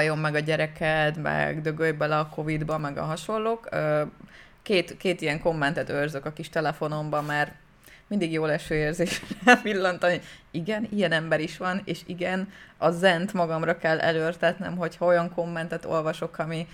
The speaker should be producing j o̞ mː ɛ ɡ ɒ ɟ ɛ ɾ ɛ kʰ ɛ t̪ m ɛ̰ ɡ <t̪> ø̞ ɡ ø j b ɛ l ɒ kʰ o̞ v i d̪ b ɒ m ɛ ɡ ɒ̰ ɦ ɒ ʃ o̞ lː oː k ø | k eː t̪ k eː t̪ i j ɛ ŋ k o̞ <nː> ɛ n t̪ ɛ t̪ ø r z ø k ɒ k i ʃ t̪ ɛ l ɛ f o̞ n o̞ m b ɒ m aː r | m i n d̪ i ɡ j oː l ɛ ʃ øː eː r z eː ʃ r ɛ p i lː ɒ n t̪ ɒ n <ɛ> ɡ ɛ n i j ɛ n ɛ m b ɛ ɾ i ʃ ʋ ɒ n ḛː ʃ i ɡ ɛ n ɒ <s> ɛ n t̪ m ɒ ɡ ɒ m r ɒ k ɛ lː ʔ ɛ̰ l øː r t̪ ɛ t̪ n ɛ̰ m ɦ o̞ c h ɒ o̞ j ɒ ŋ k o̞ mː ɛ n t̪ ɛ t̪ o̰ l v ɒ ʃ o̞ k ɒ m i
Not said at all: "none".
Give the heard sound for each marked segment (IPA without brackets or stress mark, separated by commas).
d̪, mː, i, z